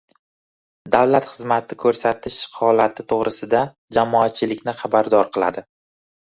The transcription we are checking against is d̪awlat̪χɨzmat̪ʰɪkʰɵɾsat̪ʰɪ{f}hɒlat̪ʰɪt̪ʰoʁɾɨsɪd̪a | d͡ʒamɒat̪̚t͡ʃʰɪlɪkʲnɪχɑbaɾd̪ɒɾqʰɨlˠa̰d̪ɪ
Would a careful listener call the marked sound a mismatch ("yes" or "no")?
yes